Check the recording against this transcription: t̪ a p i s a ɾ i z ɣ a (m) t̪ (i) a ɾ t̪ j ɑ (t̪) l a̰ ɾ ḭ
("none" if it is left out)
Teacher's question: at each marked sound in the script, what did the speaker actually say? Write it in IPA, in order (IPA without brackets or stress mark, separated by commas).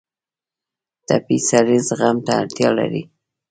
m, a, none